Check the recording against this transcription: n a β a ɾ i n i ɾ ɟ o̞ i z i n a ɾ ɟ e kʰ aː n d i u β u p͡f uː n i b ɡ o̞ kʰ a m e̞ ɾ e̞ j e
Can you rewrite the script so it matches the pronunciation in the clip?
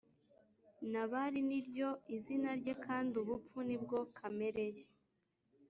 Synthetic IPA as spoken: n a β a ɾ i n i ɾ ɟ o̞ i z i n a ɾ ɟ e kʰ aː n d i u β u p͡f u n i b ɡ o̞ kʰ a m e̞ ɾ e̞ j e